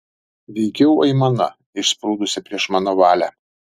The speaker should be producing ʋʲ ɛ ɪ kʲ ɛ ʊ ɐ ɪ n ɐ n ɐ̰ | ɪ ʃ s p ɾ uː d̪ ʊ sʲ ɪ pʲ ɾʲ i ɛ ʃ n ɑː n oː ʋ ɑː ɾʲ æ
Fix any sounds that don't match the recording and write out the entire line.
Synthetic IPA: ʋʲ ɛ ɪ kʲ ɛ ʊ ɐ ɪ m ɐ n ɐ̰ | ɪ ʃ s p ɾ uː d̪ ʊ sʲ ɪ pʲ ɾʲ i ɛ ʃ m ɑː n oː ʋ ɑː lʲ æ